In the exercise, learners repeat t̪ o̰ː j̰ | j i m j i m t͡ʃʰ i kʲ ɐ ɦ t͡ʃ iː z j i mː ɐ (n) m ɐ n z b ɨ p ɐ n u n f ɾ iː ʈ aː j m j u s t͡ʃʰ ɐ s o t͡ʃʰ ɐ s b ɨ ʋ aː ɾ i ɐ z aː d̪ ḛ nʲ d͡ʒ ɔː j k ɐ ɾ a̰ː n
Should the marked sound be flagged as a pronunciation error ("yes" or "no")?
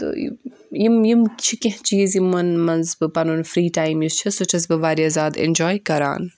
no